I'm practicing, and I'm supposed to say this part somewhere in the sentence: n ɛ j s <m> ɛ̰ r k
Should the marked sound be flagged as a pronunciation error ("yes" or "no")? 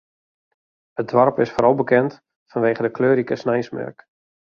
no